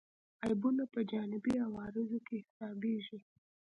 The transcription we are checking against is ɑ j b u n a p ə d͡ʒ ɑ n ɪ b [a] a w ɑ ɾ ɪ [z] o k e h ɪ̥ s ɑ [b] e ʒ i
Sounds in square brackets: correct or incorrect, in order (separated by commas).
incorrect, correct, correct